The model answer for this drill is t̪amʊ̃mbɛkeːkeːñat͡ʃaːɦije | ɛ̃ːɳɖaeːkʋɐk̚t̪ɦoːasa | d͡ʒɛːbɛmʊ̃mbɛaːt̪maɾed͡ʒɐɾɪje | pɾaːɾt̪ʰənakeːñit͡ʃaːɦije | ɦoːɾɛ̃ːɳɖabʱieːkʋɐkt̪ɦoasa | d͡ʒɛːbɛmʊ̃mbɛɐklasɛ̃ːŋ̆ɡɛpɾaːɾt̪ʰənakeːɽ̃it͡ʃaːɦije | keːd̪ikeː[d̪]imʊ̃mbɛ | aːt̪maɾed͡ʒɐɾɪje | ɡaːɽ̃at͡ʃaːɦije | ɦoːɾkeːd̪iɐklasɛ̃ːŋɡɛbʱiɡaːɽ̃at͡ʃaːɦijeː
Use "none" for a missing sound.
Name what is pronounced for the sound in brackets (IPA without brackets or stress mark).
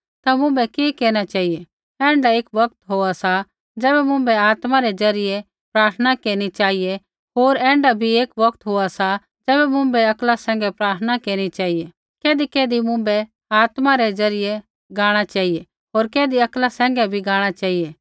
d̪